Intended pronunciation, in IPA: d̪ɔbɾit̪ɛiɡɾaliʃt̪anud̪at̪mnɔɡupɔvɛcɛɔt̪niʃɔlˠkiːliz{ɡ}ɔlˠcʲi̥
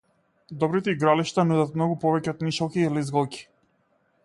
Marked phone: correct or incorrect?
correct